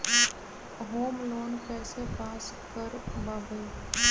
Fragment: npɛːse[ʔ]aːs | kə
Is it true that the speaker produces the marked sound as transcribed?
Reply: no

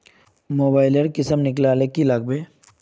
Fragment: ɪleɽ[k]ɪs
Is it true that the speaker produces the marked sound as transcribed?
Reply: yes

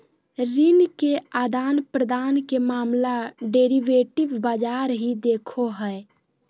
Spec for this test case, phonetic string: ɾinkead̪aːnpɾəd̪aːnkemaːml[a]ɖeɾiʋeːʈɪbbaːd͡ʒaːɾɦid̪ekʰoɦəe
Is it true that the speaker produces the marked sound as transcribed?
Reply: yes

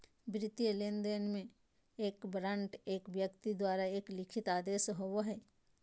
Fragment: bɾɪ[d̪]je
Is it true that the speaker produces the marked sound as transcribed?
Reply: no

